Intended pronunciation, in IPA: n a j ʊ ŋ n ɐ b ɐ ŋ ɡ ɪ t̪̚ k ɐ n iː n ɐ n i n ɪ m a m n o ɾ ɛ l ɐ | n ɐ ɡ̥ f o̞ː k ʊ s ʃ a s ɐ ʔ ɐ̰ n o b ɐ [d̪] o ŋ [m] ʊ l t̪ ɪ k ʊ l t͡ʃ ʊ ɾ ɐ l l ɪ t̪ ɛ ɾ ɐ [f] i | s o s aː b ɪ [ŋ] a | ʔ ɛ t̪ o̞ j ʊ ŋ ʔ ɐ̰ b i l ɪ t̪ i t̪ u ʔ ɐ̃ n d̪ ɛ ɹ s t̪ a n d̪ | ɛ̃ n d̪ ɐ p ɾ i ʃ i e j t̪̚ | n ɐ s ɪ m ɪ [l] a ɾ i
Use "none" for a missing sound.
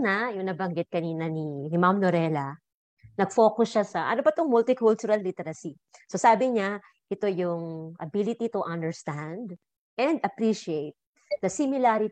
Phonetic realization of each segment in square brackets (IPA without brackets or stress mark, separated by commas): t̪, m, s, ɲ, l